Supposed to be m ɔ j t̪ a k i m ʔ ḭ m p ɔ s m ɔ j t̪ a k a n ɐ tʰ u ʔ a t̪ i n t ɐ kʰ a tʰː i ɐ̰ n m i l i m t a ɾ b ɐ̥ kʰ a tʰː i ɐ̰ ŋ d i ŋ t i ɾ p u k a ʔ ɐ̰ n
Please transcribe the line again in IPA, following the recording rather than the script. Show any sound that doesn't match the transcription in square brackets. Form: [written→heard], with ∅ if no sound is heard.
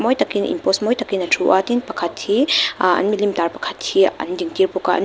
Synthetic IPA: m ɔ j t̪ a k i [m→n] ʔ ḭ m p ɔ s m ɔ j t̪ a k [a→i] n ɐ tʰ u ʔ a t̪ i n [t→p] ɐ kʰ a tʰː i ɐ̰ n m i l i m t a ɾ [b→p] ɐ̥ kʰ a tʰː i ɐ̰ [ŋ→n] d i ŋ t i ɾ p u k a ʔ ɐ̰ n